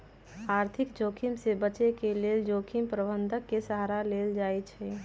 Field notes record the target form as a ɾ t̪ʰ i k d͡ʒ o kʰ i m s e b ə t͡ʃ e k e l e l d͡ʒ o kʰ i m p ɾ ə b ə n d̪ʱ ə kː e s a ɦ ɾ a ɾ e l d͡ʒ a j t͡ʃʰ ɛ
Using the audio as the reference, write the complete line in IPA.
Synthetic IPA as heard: a ɾ t̪ʰ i k d͡ʒ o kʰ i m s e b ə t͡ʃ e k e l e l d͡ʒ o kʰ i m p ɾ ə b ə n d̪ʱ ə kː e s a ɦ ɾ a l e l d͡ʒ a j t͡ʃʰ ɛ